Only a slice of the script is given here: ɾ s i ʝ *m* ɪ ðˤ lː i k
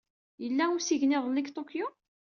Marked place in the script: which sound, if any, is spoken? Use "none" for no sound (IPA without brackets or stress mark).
n